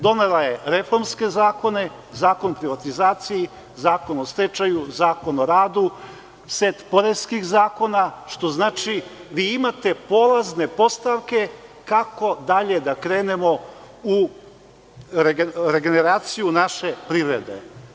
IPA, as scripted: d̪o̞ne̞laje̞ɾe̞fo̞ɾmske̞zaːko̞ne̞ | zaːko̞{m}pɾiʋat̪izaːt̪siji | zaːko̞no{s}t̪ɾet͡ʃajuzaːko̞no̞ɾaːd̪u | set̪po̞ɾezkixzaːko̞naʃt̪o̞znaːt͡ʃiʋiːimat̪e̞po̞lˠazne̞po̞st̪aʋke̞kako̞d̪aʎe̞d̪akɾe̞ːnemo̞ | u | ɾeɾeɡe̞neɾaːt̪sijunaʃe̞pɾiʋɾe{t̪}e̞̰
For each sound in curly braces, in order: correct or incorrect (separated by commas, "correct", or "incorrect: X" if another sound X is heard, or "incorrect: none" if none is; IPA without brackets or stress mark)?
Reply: incorrect: n, correct, incorrect: d̪